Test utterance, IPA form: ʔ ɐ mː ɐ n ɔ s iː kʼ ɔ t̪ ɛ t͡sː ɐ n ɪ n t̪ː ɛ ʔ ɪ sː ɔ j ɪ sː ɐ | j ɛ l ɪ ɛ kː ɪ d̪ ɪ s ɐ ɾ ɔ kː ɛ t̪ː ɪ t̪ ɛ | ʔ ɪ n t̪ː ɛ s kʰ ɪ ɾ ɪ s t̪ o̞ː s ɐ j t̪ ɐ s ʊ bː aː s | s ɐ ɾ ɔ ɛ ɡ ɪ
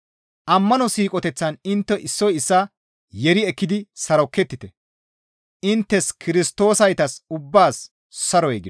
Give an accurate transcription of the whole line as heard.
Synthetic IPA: ʔ ɐ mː ɐ n ɔ s iː kʼ ɔ t̪ ɛ t͡sː ɐ n ɪ n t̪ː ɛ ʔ ɪ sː ɔ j ɪ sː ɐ | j ɛ ɾ ɪ ɛ kː ɪ d̪ ɪ s ɐ ɾ ɔ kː ɛ t̪ː ɪ t̪ ɛ | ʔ ɪ n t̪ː ɛ s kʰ ɪ ɾ ɪ s t̪ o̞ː s ɐ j t̪ ɐ s ʊ bː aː s | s ɐ ɾ ɔ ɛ ɡ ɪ